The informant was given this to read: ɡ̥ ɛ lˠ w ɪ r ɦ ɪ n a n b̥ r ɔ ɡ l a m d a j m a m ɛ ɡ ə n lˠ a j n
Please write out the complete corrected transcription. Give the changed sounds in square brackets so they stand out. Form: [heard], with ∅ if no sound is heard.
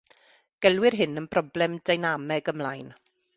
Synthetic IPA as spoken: ɡ̥ ɛ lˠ w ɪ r ɦ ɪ n [ə] n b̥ r ɔ [b] l [ɛ] m d a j [n] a m ɛ ɡ ə [m] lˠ a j n